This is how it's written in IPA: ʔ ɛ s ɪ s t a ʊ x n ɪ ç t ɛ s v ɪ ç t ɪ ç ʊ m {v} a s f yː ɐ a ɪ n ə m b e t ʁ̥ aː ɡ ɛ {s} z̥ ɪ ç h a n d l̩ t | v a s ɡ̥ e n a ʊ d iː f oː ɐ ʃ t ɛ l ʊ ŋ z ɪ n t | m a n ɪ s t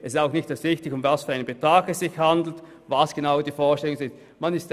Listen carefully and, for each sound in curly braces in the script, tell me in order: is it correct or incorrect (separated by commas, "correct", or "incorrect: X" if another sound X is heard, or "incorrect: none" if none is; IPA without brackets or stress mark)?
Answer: correct, correct